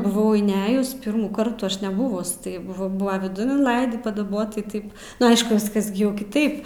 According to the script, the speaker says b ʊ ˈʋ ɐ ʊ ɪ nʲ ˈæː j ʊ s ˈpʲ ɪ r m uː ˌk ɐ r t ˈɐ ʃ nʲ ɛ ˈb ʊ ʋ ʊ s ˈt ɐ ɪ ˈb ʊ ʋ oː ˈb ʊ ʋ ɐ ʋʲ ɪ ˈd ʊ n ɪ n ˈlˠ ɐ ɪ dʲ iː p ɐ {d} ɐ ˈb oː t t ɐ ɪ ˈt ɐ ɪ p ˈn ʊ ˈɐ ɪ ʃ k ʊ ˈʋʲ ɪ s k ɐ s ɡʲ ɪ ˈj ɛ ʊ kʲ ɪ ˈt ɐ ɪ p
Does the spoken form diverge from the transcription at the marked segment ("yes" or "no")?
no